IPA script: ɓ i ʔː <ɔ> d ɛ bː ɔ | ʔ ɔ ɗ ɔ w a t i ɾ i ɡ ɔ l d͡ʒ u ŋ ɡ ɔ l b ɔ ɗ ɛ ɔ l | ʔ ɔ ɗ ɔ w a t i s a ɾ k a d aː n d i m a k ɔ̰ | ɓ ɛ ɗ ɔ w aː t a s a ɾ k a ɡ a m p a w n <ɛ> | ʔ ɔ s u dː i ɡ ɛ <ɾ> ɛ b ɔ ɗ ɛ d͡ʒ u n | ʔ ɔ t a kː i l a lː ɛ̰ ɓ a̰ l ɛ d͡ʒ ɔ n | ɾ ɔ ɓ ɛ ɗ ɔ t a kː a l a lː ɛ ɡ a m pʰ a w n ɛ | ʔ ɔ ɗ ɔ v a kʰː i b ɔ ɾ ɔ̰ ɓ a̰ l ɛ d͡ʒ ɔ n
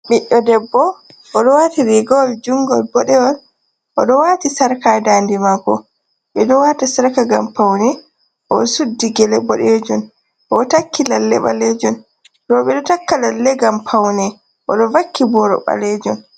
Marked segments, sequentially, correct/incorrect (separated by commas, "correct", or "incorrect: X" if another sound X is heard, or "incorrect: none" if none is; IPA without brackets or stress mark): correct, correct, incorrect: l